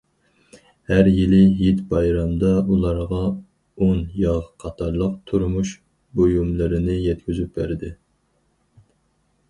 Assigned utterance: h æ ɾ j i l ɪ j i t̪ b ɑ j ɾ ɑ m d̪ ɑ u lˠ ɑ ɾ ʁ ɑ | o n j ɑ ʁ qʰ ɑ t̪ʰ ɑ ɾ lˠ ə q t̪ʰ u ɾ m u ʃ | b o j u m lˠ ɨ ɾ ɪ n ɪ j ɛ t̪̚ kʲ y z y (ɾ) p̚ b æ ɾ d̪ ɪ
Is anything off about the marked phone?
yes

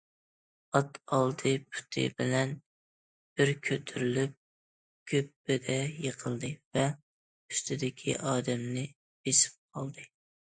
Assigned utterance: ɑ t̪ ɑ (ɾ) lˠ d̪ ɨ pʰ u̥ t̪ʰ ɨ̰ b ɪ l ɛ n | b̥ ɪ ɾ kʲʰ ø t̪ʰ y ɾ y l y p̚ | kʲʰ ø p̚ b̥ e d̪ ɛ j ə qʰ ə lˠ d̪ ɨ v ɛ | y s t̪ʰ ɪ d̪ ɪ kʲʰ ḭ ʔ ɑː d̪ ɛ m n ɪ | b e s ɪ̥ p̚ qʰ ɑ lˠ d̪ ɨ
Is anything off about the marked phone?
yes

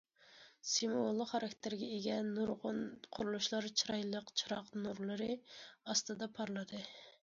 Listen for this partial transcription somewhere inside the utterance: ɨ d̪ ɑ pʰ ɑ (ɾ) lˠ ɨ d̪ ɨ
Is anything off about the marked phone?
no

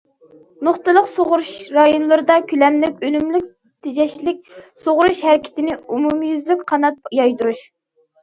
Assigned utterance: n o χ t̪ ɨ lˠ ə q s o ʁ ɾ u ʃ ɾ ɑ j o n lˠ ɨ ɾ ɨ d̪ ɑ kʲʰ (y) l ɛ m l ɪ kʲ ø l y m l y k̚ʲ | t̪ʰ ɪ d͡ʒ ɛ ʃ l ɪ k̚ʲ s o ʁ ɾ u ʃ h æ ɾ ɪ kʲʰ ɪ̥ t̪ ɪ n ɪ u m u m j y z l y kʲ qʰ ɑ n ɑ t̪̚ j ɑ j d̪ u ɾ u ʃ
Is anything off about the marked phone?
no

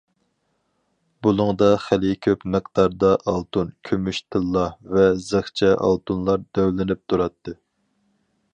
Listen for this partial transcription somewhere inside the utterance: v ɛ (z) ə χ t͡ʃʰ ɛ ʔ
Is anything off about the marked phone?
no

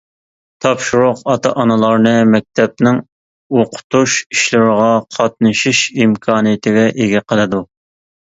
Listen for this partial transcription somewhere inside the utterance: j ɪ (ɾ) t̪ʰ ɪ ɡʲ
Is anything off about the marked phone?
yes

